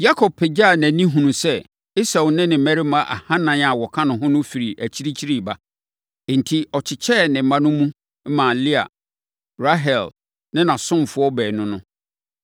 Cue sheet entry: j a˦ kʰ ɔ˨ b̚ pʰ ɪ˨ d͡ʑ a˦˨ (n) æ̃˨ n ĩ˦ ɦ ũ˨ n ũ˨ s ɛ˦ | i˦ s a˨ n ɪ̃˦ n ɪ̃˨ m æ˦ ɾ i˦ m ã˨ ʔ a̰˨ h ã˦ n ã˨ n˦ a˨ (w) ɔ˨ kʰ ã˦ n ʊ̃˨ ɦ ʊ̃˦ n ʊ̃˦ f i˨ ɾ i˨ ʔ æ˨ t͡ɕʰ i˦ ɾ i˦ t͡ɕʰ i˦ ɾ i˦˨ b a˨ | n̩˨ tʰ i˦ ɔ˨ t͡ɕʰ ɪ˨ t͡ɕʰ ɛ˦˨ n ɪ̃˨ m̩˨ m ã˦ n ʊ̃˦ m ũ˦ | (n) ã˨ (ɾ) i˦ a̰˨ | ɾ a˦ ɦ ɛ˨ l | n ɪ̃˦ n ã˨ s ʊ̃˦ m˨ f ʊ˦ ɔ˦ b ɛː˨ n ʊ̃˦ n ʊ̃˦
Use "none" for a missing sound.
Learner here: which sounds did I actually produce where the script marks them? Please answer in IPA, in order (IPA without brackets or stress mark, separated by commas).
n, w, m, l